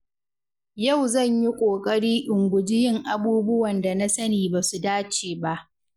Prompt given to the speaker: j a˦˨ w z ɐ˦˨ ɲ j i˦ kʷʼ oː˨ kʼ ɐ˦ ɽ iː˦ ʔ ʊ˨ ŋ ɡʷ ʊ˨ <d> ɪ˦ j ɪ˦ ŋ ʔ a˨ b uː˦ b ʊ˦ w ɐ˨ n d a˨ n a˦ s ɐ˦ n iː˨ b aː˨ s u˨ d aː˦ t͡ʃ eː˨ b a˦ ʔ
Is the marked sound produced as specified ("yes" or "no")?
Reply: no